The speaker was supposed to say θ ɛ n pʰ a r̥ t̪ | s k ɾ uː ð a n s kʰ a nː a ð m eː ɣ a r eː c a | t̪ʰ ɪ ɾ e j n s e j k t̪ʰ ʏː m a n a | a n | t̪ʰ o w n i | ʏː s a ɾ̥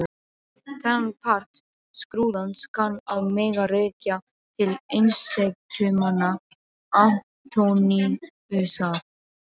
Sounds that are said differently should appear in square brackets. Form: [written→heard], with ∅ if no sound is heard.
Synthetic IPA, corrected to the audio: θ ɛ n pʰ a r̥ t̪ | s k ɾ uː ð a n s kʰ a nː a ð m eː ɣ a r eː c a | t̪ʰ ɪ [ɾ→l] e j n s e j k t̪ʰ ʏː m a n a | a n | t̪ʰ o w n i | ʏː s a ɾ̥

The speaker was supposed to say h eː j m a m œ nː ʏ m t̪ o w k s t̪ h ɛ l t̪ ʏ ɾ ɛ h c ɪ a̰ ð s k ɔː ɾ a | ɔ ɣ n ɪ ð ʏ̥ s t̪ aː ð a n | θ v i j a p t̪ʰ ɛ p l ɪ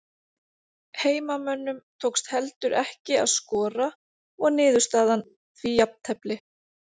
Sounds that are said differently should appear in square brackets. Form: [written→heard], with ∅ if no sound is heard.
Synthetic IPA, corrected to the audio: h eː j m a m œ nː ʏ m [t̪→t̪ʰ] o w k s t̪ h ɛ l t̪ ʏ ɾ ɛ h c ɪ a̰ ð s k ɔː ɾ a | ɔ ɣ n [ɪ→ɪː] ð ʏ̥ s t̪ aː ð a n | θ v i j a p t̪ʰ ɛ p l ɪ

